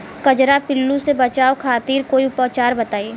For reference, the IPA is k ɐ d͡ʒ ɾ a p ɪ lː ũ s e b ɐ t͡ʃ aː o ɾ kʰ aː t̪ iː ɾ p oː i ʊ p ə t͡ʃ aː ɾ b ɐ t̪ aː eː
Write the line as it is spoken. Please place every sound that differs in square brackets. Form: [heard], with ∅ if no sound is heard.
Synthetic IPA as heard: k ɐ d͡ʒ ɾ a p ɪ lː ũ s e b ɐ t͡ʃ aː o [∅] kʰ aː t̪ iː ɾ [k] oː i ʊ p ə t͡ʃ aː ɾ b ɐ t̪ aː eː